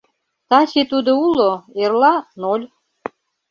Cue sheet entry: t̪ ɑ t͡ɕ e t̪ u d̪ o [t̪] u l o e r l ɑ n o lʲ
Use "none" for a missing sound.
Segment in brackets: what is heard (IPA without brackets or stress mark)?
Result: none